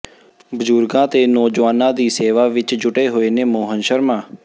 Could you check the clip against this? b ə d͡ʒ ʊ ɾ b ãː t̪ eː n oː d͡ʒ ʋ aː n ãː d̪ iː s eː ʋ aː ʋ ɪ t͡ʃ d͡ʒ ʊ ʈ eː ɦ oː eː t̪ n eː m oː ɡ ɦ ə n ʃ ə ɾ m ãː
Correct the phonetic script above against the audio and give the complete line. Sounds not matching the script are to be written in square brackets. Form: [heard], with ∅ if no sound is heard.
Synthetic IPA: b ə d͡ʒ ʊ ɾ [ɡ] ãː t̪ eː n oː d͡ʒ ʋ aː n ãː d̪ iː s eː ʋ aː ʋ ɪ t͡ʃ d͡ʒ ʊ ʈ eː ɦ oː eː [∅] n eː m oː [∅] ɦ ə n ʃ ə ɾ m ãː